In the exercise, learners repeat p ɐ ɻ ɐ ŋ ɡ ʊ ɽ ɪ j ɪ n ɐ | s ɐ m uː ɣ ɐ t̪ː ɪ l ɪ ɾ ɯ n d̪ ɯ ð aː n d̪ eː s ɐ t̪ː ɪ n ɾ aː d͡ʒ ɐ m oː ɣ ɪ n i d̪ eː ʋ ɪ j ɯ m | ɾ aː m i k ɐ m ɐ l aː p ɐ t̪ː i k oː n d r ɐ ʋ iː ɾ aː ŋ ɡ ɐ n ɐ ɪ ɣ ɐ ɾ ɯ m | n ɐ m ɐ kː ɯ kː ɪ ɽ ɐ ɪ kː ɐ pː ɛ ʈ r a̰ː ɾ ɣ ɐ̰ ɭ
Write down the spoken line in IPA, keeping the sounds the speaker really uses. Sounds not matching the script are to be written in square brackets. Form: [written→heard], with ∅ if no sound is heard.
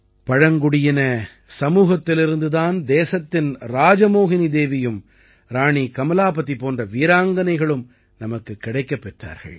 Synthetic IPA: p ɐ ɻ ɐ ŋ ɡ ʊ ɽ ɪ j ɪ n ɐ | s ɐ m uː ɣ ɐ t̪ː ɪ l ɪ ɾ ɯ n d̪ ɯ ð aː n d̪ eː s ɐ t̪ː ɪ n ɾ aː d͡ʒ ɐ m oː ɣ ɪ n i d̪ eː ʋ ɪ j ɯ m | ɾ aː [m→ɳ] i k ɐ m ɐ l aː p ɐ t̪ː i [k→p] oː n d r ɐ ʋ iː ɾ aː ŋ ɡ ɐ n ɐ ɪ ɣ ɐ [ɾ→ɭ] ɯ m | n ɐ m ɐ kː ɯ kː ɪ ɽ ɐ ɪ kː ɐ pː ɛ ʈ r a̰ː ɾ ɣ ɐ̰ ɭ